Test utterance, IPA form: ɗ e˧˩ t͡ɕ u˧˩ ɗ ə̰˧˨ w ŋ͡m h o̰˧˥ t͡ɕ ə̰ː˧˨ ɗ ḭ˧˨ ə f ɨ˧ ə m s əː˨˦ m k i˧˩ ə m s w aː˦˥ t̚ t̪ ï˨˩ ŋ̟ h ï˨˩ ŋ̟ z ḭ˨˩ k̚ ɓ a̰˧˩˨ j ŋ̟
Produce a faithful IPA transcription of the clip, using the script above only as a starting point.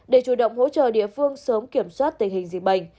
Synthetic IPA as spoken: ɗ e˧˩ t͡ɕ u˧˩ ɗ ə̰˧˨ w ŋ͡m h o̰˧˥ t͡ɕ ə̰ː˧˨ ɗ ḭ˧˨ ə f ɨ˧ ə ŋ s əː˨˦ m k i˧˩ ə m s w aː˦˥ t̚ t̪ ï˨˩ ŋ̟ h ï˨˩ ŋ̟ z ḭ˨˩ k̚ ɓ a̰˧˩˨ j ŋ̟